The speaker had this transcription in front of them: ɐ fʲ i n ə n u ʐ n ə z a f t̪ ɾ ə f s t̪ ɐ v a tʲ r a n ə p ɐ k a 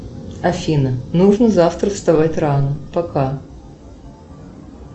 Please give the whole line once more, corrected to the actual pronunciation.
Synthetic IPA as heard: ɐ fʲ i n ə n u ʐ n ə z a f t̪ ɾ ə f s t̪ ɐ v a tʲ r a n ə p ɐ k a